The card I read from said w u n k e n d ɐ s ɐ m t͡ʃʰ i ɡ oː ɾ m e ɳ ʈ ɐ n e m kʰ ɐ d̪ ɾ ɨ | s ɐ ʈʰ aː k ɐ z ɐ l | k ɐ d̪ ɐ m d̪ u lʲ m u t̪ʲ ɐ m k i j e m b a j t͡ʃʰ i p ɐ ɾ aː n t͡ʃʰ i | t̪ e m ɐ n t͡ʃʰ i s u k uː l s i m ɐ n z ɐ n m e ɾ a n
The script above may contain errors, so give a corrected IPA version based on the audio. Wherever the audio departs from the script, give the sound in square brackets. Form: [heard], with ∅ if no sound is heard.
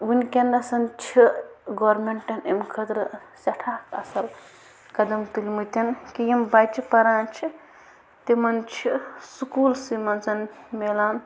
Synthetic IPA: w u n k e n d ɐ s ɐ [n] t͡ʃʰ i ɡ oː ɾ m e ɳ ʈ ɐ n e m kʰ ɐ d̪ ɾ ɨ | s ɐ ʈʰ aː k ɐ [s] ɐ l | k ɐ d̪ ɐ m [t̪] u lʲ m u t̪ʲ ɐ [n] k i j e m b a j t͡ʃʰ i p ɐ ɾ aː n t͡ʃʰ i | t̪ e m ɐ n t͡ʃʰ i s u k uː l s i m ɐ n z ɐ n m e [l] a n

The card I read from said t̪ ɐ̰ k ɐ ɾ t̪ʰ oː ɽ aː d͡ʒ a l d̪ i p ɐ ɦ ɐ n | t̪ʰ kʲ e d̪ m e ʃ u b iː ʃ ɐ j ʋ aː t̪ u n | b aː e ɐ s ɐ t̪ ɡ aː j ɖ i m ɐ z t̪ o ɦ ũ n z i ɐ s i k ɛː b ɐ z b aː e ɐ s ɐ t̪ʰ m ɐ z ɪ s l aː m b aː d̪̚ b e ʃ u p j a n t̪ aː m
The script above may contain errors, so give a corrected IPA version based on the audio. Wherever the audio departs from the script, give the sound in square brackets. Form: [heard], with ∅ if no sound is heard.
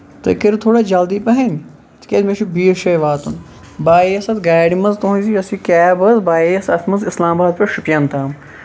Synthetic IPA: t̪ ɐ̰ k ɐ ɾ t̪ʰ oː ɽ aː d͡ʒ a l d̪ i p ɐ ɦ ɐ n | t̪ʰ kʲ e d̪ m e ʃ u b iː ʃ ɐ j ʋ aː t̪ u n | b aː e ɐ s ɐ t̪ ɡ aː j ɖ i m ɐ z t̪ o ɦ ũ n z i ɐ s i k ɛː b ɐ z b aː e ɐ s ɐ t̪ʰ m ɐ z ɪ s l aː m b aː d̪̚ [p] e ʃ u p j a n t̪ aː m

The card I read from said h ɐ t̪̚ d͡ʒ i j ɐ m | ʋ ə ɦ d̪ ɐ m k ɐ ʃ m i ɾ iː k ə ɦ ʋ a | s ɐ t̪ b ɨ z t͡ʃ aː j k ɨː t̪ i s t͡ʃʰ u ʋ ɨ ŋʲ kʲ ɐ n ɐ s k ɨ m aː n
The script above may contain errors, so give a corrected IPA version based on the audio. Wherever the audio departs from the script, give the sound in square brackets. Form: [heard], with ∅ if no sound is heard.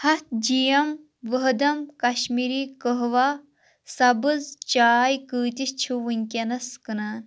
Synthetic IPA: h ɐ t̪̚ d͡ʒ i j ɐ m | ʋ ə ɦ d̪ ɐ m k ɐ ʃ m i ɾ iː k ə ɦ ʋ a | s ɐ [∅] b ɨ z t͡ʃ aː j k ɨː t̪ i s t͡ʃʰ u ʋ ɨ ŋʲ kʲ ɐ n ɐ s k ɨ [n] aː n

